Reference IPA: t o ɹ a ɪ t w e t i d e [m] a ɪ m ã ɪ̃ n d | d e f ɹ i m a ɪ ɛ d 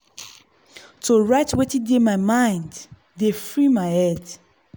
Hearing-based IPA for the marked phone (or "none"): m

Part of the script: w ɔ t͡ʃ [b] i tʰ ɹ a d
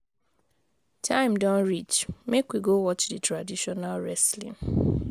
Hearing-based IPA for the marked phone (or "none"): d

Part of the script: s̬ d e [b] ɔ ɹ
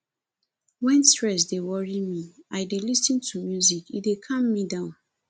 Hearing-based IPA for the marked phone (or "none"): w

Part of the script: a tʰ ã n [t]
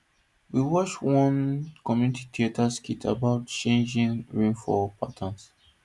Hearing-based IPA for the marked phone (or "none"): s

